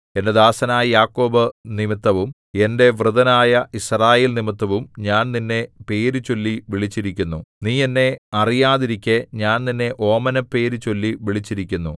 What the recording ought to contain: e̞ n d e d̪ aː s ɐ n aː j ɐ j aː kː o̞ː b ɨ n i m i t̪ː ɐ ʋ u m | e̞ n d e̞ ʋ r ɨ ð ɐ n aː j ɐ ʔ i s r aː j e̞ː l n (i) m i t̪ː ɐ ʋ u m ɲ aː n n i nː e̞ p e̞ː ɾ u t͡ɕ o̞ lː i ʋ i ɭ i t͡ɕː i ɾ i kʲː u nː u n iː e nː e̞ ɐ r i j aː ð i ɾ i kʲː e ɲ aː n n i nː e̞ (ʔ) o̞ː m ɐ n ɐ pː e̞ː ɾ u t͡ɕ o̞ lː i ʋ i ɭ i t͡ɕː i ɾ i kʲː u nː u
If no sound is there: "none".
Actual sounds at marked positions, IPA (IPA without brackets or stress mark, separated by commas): i, ʔ